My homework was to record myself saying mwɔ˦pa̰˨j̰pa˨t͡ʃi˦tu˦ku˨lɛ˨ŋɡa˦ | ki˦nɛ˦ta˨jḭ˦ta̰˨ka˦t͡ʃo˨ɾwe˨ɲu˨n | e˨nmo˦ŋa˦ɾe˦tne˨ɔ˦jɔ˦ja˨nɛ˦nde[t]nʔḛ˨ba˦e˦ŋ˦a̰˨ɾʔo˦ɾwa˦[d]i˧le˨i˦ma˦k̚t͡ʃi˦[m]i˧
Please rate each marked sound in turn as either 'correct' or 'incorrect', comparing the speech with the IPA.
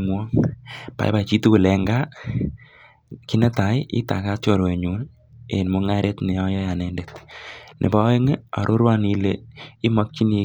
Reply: correct, incorrect: n, incorrect: n

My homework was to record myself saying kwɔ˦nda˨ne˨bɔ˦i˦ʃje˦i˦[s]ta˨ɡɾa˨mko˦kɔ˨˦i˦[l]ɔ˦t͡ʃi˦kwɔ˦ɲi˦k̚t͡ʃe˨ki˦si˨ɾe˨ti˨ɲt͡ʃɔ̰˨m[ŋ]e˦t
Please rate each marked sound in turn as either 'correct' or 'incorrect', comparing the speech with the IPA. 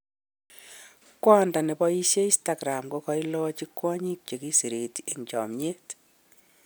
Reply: correct, correct, incorrect: ɲ

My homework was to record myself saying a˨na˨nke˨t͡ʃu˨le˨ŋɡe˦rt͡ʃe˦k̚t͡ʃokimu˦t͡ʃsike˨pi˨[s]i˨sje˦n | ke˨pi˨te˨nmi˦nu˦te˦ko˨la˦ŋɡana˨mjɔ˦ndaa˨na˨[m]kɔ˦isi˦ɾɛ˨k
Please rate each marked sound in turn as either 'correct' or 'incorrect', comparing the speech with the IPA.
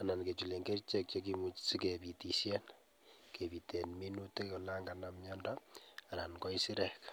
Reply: incorrect: t, incorrect: n

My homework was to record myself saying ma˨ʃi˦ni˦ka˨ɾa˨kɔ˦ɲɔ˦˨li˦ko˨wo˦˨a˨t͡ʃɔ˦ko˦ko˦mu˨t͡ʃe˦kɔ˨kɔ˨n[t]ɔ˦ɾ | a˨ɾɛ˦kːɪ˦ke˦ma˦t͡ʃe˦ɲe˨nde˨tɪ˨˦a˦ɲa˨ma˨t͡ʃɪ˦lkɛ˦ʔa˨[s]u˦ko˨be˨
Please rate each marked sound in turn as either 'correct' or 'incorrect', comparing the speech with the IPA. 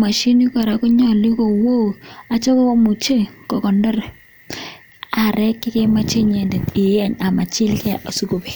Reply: incorrect: d, correct

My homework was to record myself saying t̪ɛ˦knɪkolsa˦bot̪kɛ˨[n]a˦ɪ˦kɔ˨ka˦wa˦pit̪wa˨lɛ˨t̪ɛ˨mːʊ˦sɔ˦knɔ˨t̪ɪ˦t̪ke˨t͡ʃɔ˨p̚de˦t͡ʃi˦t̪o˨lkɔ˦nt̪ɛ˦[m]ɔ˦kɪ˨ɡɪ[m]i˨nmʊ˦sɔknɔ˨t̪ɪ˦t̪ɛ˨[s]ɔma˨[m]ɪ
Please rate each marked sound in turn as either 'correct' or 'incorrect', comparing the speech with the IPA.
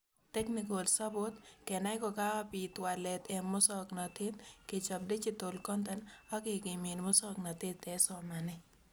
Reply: correct, incorrect: n, correct, correct, incorrect: n

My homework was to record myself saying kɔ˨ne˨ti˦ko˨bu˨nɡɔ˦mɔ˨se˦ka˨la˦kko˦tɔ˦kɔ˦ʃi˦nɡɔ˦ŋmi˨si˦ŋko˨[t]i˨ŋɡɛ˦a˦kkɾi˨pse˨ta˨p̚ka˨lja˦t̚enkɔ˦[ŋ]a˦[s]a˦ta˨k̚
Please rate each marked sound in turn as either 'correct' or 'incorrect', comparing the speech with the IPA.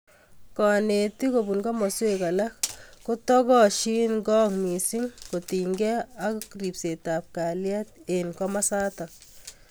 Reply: correct, incorrect: m, correct

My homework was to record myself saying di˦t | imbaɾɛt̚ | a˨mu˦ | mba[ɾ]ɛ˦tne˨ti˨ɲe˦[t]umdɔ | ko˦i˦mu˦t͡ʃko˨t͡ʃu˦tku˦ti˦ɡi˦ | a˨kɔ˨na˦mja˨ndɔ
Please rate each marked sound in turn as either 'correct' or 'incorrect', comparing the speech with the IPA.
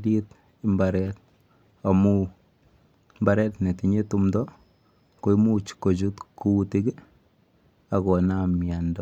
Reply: correct, correct

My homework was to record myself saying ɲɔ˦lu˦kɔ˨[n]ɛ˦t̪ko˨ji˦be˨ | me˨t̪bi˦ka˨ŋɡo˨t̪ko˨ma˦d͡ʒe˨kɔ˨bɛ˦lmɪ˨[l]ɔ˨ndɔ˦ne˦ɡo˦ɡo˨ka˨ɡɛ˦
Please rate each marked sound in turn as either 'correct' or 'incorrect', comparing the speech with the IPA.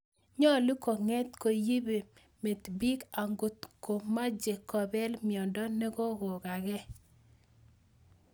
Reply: incorrect: ŋ, incorrect: none

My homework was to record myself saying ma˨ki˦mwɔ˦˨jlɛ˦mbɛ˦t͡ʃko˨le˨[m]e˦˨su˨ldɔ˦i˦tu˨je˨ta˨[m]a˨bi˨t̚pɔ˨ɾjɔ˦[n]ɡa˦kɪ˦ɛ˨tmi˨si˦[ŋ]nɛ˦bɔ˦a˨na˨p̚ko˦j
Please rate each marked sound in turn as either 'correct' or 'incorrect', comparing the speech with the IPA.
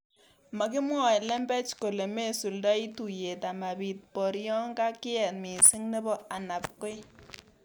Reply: correct, correct, incorrect: ŋ, correct

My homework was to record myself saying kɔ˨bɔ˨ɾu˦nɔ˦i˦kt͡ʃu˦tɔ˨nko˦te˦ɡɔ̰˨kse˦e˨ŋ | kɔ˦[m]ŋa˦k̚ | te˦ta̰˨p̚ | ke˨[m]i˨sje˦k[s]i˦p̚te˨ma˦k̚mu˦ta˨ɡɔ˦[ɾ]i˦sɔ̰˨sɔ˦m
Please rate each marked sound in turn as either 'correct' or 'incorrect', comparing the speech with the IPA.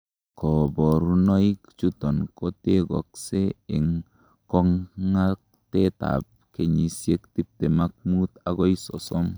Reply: incorrect: ŋ, incorrect: ɲ, incorrect: t, incorrect: none

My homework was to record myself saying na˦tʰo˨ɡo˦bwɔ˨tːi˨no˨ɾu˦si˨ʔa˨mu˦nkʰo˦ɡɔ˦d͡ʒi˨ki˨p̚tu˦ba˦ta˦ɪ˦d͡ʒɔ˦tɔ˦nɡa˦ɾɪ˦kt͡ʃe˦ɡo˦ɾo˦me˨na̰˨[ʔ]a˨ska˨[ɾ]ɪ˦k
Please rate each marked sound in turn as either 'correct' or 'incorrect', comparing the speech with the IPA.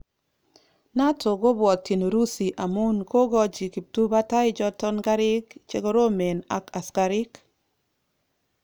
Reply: incorrect: k, correct

